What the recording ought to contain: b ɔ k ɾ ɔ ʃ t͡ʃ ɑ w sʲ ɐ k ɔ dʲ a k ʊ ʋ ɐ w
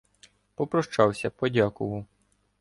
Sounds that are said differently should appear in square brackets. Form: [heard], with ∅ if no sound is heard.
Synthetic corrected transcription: [p] ɔ [p] ɾ ɔ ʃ t͡ʃ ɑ w sʲ ɐ [p] ɔ dʲ a k ʊ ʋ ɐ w